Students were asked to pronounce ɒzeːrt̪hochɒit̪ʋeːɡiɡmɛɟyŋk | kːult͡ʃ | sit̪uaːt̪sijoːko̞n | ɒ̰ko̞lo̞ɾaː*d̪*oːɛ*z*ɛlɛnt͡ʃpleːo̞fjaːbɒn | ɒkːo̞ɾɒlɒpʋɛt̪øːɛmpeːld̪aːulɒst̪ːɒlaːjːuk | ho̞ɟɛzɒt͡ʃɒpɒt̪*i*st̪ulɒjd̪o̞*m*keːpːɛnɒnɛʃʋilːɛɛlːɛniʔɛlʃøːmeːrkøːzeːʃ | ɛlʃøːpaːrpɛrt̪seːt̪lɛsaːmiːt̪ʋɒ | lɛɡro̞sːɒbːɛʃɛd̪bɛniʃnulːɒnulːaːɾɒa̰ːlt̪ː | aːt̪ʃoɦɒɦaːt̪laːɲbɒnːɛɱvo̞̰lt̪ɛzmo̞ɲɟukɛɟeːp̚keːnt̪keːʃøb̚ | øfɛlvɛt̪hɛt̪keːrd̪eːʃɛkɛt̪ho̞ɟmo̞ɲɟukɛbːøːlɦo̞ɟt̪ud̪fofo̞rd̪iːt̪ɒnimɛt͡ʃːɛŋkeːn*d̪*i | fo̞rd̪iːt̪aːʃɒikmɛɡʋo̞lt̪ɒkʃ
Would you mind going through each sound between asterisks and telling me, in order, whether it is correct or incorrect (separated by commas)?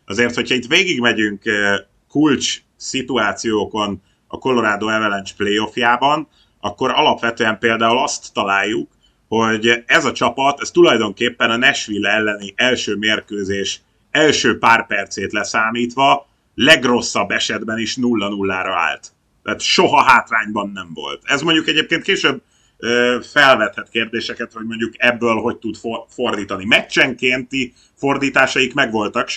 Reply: correct, incorrect, incorrect, incorrect, incorrect